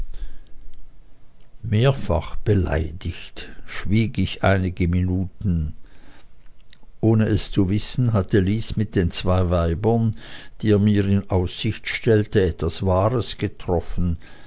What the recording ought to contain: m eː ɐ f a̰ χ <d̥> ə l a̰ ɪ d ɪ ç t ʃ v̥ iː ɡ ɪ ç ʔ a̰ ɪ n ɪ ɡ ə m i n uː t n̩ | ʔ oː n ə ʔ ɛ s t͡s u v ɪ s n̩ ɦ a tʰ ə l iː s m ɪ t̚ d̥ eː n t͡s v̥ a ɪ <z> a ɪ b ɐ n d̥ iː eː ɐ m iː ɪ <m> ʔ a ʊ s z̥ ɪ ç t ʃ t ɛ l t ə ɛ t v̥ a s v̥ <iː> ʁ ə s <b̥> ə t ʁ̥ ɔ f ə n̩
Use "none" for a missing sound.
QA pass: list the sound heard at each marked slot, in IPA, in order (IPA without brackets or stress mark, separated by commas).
b̥, v, n, aː, ɡ̥